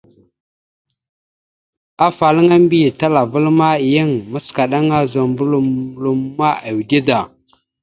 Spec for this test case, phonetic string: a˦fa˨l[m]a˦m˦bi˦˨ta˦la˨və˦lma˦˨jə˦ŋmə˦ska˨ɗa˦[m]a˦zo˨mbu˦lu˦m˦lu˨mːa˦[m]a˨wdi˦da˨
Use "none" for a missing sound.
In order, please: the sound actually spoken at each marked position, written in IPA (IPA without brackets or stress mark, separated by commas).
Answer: ŋ, ŋ, none